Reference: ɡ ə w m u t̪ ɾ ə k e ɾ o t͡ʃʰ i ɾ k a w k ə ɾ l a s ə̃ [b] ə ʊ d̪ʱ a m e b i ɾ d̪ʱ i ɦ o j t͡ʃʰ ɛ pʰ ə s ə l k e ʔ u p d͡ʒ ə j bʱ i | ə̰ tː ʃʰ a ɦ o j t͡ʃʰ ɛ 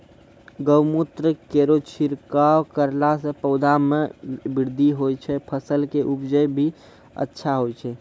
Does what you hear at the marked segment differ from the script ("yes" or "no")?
yes